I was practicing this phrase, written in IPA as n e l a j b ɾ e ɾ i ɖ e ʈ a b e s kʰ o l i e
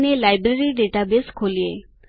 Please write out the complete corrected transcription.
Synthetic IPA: n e l a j b ɾ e ɾ i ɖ e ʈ a b e s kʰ o l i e

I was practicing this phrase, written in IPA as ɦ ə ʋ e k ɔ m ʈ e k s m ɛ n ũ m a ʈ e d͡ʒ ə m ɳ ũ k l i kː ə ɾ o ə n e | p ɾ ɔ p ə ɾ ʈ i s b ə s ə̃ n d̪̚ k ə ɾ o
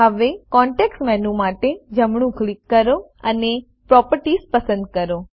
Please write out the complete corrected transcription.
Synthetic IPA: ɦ ə ʋ e k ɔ ɳ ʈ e k s m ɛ n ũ m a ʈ e d͡ʒ ə m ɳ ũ k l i kː ə ɾ o ə n e | p ɾ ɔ p ə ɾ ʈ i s p ə s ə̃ n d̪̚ k ə ɾ o

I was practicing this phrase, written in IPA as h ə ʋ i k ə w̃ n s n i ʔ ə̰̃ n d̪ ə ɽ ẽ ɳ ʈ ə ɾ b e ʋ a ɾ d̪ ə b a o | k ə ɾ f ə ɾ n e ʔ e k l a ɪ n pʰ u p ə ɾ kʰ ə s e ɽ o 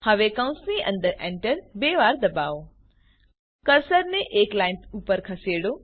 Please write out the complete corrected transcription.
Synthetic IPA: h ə ʋ e k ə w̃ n s n i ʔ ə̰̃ n d̪ ə ɾ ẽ ɳ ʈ ə ɾ b e ʋ a ɾ d̪ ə b a o | k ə ɾ s ə ɾ n e ʔ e k l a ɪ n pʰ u p ə ɾ kʰ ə s e ɽ o

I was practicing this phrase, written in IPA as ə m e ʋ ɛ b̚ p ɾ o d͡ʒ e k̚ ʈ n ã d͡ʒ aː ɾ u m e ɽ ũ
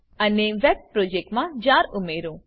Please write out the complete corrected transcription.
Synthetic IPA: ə n e ʋ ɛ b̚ p ɾ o d͡ʒ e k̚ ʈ m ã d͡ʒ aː ɾ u m e ɾ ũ

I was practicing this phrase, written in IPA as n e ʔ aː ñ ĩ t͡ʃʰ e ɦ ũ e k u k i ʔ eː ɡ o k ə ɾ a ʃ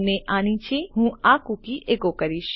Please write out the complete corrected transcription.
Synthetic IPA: n e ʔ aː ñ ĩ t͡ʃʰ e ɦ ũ a k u k i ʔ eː k o k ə ɾ i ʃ

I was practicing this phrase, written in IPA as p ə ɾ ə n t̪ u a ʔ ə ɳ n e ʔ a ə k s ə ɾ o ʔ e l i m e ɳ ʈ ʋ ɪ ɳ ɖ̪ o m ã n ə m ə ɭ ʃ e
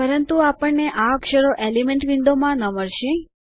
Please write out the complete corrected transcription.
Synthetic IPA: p ə ɾ ə n t̪ u a p ə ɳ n e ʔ a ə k ʃ ə ɾ o ʔ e l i m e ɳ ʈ ʋ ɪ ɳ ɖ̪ o m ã n ə m ə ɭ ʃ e

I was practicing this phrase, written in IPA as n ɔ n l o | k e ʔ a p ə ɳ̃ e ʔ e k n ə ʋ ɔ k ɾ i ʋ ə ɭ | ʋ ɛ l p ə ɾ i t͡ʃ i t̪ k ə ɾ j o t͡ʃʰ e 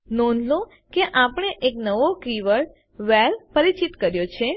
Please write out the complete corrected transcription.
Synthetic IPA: n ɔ n l o | k e ʔ a p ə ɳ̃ e ʔ e k n ə ʋ o k ɾ i ʋ ə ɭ | ʋ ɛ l p ə ɾ i t͡ʃ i t̪ k ə ɾ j o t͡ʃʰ e

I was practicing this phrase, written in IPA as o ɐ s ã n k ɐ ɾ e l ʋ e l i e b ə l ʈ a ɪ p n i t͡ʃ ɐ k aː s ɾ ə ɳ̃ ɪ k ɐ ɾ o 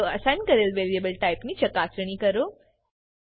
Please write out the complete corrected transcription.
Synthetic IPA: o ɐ s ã n k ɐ ɾ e l ʋ e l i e b ə l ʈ a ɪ p n i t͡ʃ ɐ k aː s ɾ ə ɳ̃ i k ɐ ɾ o

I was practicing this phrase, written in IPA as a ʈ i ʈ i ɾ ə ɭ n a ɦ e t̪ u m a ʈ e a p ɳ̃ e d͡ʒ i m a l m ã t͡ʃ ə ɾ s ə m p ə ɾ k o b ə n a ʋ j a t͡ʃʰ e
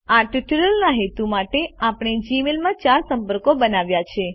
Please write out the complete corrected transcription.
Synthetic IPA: a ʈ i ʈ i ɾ ə l n a ɦ e t̪ u m a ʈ e a p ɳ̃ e d͡ʒ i m e l m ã t͡ʃ a ɾ s ə m p ə ɾ k o b ə n a ʋ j a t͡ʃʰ e

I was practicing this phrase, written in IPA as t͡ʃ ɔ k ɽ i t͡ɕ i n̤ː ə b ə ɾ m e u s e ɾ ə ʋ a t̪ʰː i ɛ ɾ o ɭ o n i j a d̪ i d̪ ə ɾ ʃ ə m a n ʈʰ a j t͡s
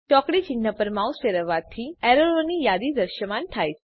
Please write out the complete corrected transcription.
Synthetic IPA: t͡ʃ ɔ k ɽ i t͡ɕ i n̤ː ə p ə ɾ m a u s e ɾ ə ʋ a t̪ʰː i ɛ ɾ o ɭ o n i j a d̪ i d̪ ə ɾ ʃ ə m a n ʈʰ a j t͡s

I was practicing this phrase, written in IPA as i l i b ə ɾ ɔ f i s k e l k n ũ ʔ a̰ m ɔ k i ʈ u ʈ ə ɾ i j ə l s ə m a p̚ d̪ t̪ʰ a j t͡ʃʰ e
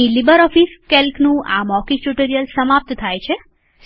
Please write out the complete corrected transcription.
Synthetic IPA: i l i b ə ɾ ɔ f i s k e l k n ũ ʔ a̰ m ɔ k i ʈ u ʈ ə ɾ i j ə l s ə m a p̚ t̪ t̪ʰ a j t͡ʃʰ e

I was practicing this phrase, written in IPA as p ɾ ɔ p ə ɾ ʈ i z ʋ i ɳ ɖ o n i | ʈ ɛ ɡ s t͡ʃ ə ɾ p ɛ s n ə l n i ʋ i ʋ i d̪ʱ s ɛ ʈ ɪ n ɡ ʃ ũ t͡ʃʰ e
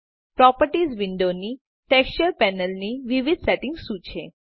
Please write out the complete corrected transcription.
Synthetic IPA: p ɾ ɔ p ə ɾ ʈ i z ʋ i ɳ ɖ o n i | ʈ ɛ k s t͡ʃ ə ɾ p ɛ n ə l n i ʋ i ʋ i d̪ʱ s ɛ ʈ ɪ ŋ ɡ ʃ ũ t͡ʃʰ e

